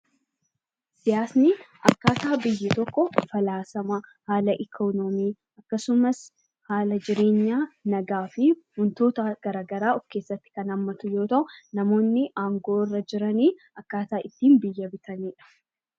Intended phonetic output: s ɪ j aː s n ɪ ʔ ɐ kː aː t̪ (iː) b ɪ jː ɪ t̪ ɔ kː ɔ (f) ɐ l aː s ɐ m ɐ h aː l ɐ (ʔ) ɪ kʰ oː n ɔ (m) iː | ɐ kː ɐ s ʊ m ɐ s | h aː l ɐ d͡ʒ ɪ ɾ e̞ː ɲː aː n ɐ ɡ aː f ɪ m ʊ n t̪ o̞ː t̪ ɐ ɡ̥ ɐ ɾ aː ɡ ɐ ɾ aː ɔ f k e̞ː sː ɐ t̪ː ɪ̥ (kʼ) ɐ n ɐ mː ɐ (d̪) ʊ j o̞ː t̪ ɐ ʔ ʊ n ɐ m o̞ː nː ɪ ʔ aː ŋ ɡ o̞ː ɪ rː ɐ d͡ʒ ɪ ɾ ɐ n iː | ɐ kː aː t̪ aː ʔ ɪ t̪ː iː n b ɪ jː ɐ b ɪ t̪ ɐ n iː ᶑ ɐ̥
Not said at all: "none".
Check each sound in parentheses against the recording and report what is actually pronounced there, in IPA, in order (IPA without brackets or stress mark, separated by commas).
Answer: aː, f, ʔ, m, k, t̪